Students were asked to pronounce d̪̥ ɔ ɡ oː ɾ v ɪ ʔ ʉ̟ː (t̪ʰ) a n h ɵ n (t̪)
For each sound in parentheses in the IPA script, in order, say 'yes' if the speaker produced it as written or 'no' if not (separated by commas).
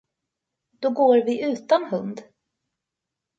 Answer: no, no